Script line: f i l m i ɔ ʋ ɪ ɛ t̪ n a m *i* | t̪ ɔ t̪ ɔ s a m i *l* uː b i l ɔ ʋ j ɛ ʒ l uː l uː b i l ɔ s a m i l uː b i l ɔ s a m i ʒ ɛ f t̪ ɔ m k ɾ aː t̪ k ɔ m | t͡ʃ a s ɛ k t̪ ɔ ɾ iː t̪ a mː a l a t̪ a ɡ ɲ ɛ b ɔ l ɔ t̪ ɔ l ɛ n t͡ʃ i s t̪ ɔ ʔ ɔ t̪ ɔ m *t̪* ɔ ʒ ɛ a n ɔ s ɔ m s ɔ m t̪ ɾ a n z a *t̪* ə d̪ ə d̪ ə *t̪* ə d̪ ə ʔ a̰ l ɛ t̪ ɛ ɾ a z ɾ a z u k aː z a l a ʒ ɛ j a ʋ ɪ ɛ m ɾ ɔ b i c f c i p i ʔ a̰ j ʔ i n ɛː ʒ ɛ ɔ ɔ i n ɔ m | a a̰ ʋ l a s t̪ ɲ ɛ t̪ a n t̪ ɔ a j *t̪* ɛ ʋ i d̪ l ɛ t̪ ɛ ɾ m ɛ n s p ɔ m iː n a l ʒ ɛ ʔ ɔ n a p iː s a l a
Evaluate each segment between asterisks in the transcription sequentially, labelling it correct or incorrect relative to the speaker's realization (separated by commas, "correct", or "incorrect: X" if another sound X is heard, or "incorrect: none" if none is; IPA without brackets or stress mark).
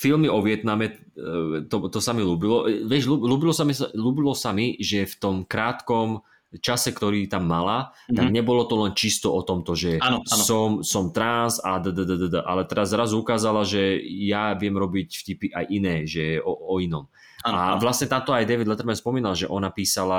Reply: incorrect: ɛ, correct, correct, incorrect: d̪, incorrect: d̪, incorrect: d̪